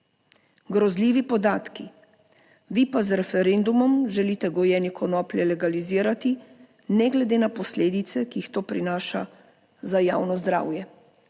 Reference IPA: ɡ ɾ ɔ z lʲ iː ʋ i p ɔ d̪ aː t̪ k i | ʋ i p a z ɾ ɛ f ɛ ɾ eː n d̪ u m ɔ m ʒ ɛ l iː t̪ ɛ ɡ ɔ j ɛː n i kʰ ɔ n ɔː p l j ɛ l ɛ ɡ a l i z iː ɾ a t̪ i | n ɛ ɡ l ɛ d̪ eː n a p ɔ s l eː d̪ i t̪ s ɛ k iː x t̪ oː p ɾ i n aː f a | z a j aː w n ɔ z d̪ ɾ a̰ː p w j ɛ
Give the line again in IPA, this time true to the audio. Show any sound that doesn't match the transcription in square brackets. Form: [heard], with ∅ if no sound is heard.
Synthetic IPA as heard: ɡ ɾ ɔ z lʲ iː ʋ i p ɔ d̪ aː t̪ k i | ʋ i p a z ɾ ɛ f ɛ ɾ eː n d̪ u m ɔ m ʒ ɛ l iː t̪ ɛ ɡ ɔ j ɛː n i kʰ ɔ n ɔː p l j ɛ l ɛ ɡ a l i z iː ɾ a t̪ i | n ɛ ɡ l ɛ d̪ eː n a p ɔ s l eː d̪ i t̪ s ɛ k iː x t̪ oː p ɾ i n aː [ʃ] a | z a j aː w n ɔ z d̪ ɾ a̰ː [∅] w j ɛ